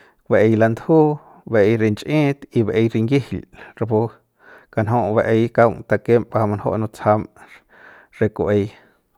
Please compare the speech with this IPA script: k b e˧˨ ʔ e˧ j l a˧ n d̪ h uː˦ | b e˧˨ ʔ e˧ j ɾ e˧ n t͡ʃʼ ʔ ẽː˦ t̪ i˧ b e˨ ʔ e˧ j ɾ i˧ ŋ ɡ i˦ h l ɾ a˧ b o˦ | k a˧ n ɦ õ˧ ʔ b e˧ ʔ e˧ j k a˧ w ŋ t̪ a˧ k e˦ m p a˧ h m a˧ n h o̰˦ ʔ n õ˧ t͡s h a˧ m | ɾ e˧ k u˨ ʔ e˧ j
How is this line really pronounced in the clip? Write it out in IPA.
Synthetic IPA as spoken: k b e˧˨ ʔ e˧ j l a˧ n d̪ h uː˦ | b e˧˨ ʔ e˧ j ɾ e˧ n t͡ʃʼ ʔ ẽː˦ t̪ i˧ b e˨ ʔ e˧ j ɾ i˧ ŋ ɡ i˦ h l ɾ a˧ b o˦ | k a˧ n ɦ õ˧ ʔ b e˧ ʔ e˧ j k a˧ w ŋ t̪ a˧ k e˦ m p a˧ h m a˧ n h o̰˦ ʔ n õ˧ t͡s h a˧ m | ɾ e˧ k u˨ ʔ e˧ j